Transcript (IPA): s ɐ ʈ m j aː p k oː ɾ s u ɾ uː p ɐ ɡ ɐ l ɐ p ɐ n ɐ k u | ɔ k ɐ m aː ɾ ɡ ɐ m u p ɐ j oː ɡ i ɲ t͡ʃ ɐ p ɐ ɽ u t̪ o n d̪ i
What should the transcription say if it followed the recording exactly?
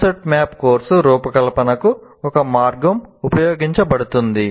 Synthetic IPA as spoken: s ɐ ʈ m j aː p k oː ɾ s u ɾ uː p ɐ k ɐ l ɐ p ɐ n ɐ k u | ɔ k ɐ m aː ɾ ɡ ɐ m u p ɐ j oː ɡ i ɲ t͡ʃ ɐ p ɐ ɽ u t̪ u n d̪ i